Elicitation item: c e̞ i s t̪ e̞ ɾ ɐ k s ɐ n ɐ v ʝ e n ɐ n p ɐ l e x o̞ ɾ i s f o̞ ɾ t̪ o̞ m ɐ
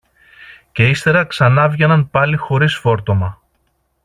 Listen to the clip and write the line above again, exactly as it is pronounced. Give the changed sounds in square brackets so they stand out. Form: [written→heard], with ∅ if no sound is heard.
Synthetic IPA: c e̞ i s t̪ e̞ ɾ ɐ k s ɐ n ɐ v ʝ e n ɐ n p ɐ l [e→i] x o̞ ɾ i s f o̞ ɾ t̪ o̞ m ɐ